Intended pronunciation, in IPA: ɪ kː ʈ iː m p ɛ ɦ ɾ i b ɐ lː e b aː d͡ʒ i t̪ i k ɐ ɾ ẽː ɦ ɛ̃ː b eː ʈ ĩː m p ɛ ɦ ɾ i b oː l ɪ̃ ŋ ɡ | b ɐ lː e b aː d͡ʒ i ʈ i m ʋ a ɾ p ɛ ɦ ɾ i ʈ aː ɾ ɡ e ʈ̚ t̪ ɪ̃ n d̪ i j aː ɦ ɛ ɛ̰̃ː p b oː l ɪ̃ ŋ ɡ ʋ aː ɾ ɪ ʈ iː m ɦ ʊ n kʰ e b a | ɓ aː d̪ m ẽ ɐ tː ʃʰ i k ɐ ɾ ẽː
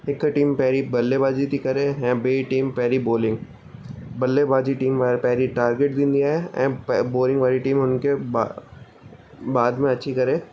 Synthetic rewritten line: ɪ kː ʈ iː m p ɛ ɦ ɾ i b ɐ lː e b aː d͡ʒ i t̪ i k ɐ ɾ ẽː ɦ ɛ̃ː b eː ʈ iː m p ɛ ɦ ɾ i b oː l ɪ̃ ŋ ɡ | b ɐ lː e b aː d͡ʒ i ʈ iː m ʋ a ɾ p ɛ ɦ ɾ i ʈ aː ɾ ɡ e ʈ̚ d̪ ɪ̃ n d̪ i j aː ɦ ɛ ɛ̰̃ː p b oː l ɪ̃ ŋ ɡ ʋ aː ɾ i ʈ iː m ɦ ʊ n k e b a | b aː d̪ m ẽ ɐ tː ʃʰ i k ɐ ɾ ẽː

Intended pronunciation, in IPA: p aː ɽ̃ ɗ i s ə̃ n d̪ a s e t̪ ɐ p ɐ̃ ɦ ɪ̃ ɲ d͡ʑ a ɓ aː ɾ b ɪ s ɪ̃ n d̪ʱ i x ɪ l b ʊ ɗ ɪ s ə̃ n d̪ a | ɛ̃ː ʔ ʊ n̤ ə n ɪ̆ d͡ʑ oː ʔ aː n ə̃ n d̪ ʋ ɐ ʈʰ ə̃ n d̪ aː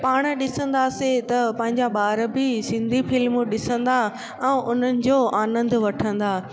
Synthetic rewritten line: p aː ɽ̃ ɗ ɪ s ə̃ n d̪ a s e t̪ ɐ p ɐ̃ ɦ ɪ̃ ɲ d͡ʑ a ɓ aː ɾ b ɪ s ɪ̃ n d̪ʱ i f ɪ l m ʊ ɗ ɪ s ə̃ n d̪ a | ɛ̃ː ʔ ʊ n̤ ə n ɪ̆ d͡ʑ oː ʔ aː n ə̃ n d̪ ʋ ɐ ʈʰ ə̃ n d̪ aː

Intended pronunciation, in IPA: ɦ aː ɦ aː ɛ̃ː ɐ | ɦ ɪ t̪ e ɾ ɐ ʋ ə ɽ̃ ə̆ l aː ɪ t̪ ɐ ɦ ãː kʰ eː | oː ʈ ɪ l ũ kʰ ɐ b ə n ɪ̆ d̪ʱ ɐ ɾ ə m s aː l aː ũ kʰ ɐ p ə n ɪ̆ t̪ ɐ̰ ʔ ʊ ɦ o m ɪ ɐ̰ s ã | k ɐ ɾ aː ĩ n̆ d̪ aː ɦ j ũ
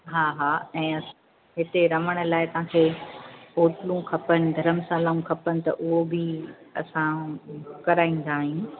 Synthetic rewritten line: ɦ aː ɦ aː ɛ̃ː ɐ | ɦ ɪ t̪ e ɾ ɐ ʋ ə ɽ̃ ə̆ l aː ɪ t̪ ɐ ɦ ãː kʰ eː | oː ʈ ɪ l ũ kʰ ɐ p ə n ɪ̆ d̪ʱ ɐ ɾ ə m s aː l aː ũ kʰ ɐ p ə n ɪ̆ t̪ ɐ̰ ʔ ʊ ɦ o b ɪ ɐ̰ s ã | k ɐ ɾ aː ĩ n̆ d̪ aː ɦ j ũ

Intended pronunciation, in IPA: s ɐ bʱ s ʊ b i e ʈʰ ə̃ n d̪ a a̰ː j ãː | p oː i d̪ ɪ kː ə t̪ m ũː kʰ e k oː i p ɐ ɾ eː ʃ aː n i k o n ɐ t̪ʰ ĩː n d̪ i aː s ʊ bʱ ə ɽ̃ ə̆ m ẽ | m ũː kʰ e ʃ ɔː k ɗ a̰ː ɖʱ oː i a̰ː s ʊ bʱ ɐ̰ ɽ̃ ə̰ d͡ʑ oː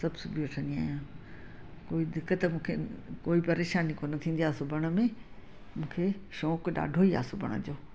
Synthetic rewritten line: s ɐ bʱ s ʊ b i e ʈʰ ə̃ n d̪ i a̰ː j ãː | k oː i d̪ ɪ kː ə t̪ m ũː kʰ e k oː i p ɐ ɾ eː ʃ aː n i k o n ɐ t̪ʰ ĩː n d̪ i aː s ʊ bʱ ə ɽ̃ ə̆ m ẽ | m ũː kʰ e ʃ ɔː k ɗ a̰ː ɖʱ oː i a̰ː s ʊ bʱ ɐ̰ ɽ̃ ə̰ d͡ʑ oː

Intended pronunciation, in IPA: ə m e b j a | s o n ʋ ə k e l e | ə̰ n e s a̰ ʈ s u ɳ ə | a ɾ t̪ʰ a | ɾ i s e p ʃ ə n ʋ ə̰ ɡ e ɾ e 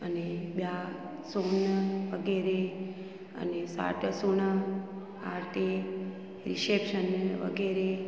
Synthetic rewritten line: ə n e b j a | s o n ʋ ə ɡ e ɾ e | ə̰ n e s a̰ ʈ s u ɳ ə | a ɾ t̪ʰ e | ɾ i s e p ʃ ə n ʋ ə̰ ɡ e ɾ e

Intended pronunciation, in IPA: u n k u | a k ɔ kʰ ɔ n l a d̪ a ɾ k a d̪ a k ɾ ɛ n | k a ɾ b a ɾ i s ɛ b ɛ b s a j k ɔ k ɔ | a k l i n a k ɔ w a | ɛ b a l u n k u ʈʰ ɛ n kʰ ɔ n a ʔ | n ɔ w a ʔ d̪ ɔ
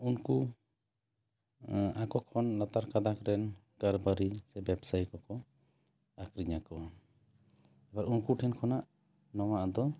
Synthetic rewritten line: u n k u | a k ɔ kʰ ɔ n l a t̪ a ɾ k a d̪ a k ɾ ɛ n | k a ɾ b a ɾ i s ɛ b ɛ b s a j k ɔ k ɔ | a k ɾ i ɲ a k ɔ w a | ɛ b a ɾ u n k u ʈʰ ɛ n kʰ ɔ n a ʔ | n ɔ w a ʔ d̪ ɔ

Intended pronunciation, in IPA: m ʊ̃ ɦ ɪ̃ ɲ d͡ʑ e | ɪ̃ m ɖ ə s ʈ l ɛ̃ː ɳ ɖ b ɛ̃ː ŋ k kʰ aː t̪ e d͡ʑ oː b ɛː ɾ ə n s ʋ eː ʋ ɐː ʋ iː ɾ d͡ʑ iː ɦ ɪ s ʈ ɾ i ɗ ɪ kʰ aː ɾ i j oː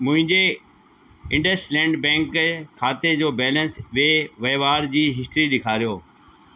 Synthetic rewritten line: m ʊ̃ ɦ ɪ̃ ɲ d͡ʑ e | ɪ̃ ɳ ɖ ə s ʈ l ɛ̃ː ɳ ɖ b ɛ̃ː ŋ k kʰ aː t̪ e d͡ʑ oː b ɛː l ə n s ʋ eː ʋ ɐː ʋ aː ɾ d͡ʑ iː ɦ ɪ s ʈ ɾ i ɗ ɪ kʰ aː ɾ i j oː

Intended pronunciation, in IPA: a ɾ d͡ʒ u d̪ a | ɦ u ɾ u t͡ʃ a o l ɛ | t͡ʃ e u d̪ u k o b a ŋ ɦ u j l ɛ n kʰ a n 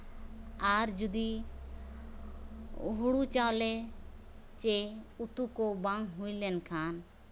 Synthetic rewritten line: a ɾ d͡ʒ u d̪ i | ɦ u ɽ u t͡ʃ a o l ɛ | t͡ʃ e u t̪ u k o b a ŋ ɦ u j l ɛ n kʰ a n

